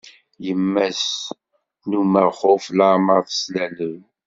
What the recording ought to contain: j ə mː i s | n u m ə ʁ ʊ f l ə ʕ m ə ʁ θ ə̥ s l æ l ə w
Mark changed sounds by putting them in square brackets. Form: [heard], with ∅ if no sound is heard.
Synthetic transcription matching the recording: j ə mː [æ] s | n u m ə [χ] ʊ f l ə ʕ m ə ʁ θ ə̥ s l æ l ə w